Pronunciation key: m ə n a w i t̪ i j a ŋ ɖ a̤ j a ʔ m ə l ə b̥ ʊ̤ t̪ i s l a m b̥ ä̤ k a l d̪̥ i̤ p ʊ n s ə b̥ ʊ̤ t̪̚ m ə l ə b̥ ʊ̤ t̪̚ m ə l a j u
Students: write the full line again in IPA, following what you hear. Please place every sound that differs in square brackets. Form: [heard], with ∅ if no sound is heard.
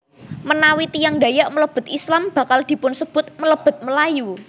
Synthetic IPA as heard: m ə n a w i t̪ i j a ŋ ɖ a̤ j a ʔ m ə l ə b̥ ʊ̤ t̪ i s l a m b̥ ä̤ k a l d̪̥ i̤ p ʊ n s ə b̥ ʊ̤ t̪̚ m ə l ə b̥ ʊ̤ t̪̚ m ə l a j u